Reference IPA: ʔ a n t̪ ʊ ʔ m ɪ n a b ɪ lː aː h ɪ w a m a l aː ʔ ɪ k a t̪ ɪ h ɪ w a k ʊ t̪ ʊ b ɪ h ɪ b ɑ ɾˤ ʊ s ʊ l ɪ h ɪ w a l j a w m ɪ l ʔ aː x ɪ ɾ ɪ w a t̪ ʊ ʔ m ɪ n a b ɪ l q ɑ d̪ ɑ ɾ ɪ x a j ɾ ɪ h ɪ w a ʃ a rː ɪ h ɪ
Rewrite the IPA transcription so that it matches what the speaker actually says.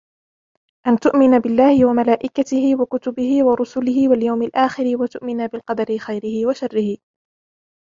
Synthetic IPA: ʔ a n t̪ ʊ ʔ m ɪ n a b ɪ lː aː h ɪ w a m a l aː ʔ ɪ k a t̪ ɪ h ɪ w a k ʊ t̪ ʊ b ɪ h ɪ w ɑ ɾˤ ʊ s ʊ l ɪ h ɪ w a l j a w m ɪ l ʔ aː x ɪ ɾ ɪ w a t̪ ʊ ʔ m ɪ n a b ɪ l q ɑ d̪ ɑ ɾ ɪ x a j ɾ ɪ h ɪ w a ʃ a rː ɪ h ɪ

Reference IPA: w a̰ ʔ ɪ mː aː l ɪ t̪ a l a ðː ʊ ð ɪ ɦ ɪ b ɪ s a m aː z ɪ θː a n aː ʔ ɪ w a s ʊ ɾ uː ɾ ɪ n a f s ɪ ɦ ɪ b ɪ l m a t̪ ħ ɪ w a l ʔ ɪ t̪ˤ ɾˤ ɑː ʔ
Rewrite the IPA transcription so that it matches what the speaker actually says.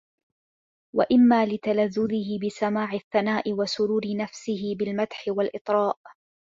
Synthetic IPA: w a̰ ʔ ɪ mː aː l ɪ t̪ a l a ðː ʊ ð ɪ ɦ ɪ b ɪ s a m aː ʕ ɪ θː a n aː ʔ ɪ w a s ʊ ɾ uː ɾ ɪ n a f s ɪ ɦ ɪ b ɪ l m a t̪ ħ ɪ w a l ʔ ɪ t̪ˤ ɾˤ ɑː ʔ

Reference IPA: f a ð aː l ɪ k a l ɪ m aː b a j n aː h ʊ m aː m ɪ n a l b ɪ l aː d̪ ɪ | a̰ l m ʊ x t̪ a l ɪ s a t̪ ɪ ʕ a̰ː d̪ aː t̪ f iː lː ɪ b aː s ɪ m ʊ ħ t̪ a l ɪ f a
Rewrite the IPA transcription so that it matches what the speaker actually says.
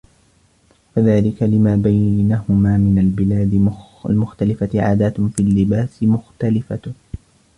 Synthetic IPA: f a ð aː l ɪ k a l ɪ m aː b a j n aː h ʊ m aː m ɪ n a l b ɪ l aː d̪ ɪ | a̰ l m ʊ x t̪ a l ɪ f a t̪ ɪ ʕ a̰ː d̪ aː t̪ f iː lː ɪ b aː s ɪ m ʊ x t̪ a l ɪ f a

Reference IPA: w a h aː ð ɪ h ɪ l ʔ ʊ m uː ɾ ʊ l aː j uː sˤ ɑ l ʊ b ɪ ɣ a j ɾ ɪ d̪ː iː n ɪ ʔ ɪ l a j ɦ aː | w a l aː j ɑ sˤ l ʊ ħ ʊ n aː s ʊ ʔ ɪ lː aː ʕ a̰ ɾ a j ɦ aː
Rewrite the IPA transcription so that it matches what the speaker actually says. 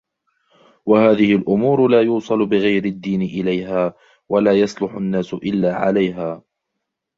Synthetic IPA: w a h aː ð ɪ h ɪ l ʔ ʊ m uː ɾ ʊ l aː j uː sˤ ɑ l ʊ b ɪ ɣ a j ɾ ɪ d̪ː iː n ɪ ʔ ɪ l a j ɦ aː | w a l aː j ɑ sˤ l ʊ ħ ʊ nː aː s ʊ ʔ ɪ lː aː ʕ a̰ l a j ɦ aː

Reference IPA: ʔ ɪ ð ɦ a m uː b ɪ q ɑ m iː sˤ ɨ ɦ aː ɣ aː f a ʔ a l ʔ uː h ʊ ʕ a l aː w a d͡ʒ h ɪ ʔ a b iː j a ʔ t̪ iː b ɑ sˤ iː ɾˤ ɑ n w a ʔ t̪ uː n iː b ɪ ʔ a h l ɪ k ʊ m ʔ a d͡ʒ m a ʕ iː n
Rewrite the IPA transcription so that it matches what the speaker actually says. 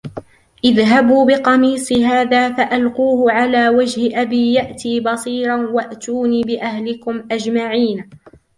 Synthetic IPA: ʔ ɪ ð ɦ a b uː b ɪ q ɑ m iː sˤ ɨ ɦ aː ð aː f a ʔ a l q uː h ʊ ʕ a l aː w a d͡ʒ h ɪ ʔ a b iː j a ʔ t̪ iː b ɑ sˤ iː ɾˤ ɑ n w a ʔ t̪ uː n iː b ɪ ʔ a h l ɪ k ʊ m ʔ a d͡ʒ m a ʕ iː n

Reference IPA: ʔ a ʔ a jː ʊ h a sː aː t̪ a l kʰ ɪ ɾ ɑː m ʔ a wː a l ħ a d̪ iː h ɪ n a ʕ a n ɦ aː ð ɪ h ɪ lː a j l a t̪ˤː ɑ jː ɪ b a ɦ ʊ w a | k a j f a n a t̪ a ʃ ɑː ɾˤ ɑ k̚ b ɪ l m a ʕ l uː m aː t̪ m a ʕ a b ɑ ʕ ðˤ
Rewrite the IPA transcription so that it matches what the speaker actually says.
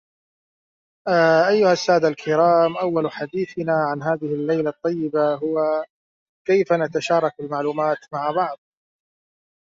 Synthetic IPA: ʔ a ʔ a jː ʊ h a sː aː d̪ a l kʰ ɪ ɾ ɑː m ʔ a wː a l ħ a d̪ iː θ ɪ n a ʕ a n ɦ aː ð ɪ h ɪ lː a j l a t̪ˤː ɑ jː ɪ b a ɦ ʊ w a | k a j f a n a t̪ a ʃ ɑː ɾˤ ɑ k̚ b ɪ l m a ʕ l uː m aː t̪ m a ʕ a b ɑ ʕ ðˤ

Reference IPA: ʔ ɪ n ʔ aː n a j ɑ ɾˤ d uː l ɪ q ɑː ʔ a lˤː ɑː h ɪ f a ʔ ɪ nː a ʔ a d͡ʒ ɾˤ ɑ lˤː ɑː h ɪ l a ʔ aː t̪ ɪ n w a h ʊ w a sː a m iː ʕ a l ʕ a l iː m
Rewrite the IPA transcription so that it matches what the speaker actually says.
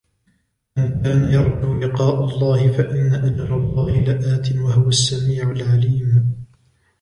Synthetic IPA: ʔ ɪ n k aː n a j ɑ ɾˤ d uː l ɪ q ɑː ʔ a lˤː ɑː h ɪ f a ʔ ɪ nː a ʔ a d͡ʒ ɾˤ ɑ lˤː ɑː h ɪ l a ʔ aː t̪ ɪ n w a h ʊ w a sː a m iː ʕ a l ʕ a l iː m

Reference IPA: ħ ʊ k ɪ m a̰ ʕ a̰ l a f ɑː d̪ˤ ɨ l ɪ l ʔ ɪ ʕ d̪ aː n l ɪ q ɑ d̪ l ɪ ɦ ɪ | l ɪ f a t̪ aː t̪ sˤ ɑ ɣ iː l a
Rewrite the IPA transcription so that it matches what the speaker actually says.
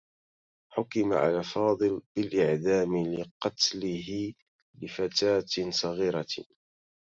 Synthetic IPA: ħ ʊ k ɪ m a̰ ʕ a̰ l a f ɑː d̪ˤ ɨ l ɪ l ʔ ɪ ʕ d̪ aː m l ɪ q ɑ t̪ l ɪ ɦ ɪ | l ɪ f a t̪ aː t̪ sˤ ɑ ɣ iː ɾ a

